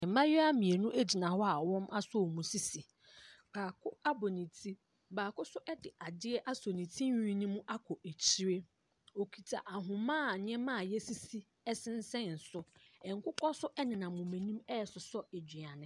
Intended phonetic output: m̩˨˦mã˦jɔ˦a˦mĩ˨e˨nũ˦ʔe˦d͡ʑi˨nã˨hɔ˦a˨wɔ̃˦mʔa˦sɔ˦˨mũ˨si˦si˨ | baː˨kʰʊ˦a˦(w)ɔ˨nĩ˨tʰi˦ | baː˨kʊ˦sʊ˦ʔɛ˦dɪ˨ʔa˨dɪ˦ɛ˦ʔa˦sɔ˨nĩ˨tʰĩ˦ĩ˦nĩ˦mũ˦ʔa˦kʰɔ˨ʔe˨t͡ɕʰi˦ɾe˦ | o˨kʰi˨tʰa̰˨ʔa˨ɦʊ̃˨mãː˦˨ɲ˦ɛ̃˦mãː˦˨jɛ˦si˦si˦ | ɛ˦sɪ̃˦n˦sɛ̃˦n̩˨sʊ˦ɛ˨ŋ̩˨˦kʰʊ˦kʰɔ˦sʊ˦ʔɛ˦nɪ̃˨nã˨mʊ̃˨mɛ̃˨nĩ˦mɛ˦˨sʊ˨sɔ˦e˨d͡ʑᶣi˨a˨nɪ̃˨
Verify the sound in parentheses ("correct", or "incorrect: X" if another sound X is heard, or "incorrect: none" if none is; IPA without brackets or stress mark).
incorrect: b